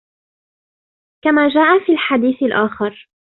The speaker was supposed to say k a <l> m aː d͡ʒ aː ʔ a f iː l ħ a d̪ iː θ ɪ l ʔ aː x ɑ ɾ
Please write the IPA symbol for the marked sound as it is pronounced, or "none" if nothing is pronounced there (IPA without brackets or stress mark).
none